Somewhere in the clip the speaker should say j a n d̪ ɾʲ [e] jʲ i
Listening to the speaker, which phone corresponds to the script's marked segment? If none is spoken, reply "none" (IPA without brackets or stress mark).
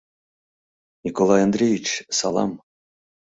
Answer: e